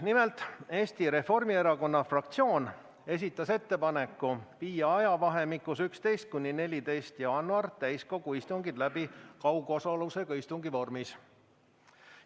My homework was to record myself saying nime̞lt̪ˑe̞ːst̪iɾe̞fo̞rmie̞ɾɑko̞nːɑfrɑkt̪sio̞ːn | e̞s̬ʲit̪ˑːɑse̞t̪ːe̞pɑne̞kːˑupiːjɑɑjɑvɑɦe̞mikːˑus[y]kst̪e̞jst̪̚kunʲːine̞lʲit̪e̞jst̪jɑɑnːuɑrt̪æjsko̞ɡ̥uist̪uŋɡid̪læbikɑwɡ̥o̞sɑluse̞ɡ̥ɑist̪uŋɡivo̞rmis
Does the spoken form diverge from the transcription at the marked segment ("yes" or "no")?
no